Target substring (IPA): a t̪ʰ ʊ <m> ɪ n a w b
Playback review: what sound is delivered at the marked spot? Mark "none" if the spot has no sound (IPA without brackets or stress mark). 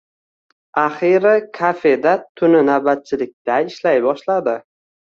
n